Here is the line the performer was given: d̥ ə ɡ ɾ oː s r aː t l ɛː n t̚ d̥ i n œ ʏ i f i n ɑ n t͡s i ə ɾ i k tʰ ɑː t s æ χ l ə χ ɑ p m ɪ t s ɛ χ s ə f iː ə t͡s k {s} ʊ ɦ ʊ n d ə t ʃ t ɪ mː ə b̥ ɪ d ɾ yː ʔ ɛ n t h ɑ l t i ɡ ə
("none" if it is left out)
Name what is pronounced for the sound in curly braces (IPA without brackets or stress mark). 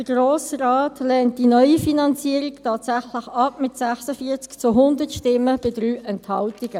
t͡s